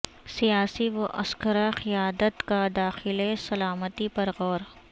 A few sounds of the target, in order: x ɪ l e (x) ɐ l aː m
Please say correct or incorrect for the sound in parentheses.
incorrect